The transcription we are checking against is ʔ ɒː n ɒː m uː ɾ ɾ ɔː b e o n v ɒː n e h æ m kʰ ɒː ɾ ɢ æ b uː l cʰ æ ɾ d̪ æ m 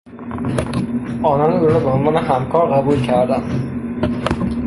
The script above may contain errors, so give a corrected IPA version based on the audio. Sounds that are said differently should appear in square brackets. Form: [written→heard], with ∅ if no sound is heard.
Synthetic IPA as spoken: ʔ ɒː n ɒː [m→n] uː ɾ ɾ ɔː b e o n v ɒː n e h æ m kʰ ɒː ɾ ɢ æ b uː l cʰ æ ɾ d̪ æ [m→n]